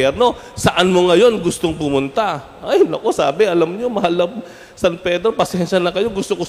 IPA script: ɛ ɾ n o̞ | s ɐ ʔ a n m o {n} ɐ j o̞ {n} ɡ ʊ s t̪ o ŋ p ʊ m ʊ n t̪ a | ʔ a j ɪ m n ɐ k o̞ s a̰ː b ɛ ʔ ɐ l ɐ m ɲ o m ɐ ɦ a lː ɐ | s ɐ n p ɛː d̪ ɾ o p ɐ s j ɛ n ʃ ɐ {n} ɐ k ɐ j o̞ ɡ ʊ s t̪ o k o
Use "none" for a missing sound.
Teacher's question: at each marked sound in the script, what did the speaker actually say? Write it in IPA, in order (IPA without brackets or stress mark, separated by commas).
ŋ, n, n